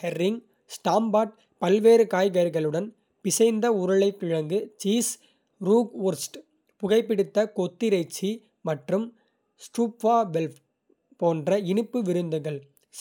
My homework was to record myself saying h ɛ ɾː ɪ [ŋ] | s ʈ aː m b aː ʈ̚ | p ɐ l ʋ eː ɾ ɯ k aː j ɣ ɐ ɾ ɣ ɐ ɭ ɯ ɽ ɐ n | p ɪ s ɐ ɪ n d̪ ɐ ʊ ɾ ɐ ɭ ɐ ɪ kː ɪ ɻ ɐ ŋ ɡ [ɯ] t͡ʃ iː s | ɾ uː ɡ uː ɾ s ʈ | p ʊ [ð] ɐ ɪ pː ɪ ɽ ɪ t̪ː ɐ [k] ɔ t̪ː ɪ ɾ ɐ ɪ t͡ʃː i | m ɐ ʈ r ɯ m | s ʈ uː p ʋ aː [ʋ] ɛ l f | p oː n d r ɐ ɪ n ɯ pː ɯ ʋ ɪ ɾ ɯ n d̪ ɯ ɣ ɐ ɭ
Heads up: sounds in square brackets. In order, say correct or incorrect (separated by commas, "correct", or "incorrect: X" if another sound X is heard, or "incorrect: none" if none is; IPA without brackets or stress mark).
correct, correct, incorrect: ɣ, correct, correct